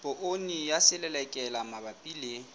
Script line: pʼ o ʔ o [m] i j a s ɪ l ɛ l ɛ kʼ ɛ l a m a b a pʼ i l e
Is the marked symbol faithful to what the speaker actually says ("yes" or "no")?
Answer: no